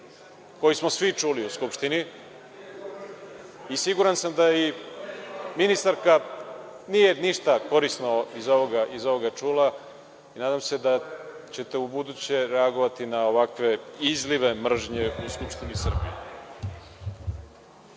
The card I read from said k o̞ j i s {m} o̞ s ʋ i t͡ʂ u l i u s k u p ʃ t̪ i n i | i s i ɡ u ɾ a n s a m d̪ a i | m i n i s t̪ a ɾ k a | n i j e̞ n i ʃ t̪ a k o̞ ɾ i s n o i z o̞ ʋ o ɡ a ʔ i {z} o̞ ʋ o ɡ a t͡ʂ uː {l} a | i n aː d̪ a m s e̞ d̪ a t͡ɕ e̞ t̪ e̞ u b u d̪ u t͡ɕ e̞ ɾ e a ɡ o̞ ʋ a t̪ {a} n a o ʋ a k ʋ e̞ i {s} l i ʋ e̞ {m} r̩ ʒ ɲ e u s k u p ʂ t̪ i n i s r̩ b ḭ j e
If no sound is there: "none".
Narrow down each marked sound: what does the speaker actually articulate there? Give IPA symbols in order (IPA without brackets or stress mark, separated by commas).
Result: m, z, l, i, z, m